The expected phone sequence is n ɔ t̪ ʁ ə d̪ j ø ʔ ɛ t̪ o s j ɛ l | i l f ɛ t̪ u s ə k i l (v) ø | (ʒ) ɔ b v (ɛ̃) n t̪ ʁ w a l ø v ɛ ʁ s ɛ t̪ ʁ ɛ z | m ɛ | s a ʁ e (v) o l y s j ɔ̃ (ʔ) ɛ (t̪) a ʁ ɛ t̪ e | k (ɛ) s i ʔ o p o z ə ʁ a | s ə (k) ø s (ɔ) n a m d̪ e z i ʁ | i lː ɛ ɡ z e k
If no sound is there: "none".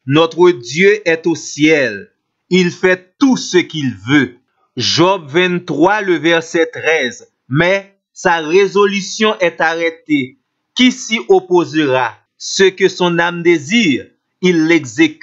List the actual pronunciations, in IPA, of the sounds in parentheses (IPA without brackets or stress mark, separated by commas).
v, ʒ, ɛ̃, z, ʔ, t̪, i, k, ɔ̃